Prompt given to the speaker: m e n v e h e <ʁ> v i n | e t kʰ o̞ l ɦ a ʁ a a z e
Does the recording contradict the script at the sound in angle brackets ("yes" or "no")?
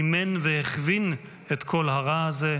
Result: yes